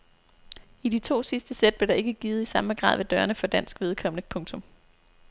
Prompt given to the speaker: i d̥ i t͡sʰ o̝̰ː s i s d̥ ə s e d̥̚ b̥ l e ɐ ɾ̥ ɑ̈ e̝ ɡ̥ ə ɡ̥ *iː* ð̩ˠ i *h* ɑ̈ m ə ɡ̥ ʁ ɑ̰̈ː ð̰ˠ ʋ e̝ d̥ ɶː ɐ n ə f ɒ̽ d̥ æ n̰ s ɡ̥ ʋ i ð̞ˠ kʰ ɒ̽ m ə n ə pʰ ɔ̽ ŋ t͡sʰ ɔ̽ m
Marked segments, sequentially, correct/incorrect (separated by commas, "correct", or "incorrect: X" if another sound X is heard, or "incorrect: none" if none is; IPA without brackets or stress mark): correct, incorrect: s